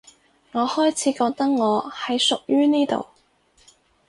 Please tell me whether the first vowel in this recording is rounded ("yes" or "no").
yes